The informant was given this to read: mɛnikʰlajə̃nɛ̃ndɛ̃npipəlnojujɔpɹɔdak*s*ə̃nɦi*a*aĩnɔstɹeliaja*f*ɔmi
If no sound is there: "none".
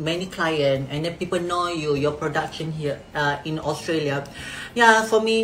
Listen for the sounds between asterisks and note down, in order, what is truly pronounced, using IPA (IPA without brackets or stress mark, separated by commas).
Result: ʃ, ə, f